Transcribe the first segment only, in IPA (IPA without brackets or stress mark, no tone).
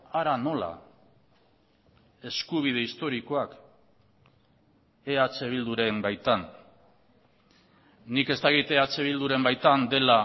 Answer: a